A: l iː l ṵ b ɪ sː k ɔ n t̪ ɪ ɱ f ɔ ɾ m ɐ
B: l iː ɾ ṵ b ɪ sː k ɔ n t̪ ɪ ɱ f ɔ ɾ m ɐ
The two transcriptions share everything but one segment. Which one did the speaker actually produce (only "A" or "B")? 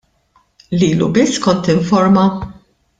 A